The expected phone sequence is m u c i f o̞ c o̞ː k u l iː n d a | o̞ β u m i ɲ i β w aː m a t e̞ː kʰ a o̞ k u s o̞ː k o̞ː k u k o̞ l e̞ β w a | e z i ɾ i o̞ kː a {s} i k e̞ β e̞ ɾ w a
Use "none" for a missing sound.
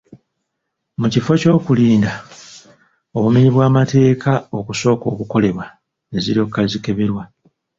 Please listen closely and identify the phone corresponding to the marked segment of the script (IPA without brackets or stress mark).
z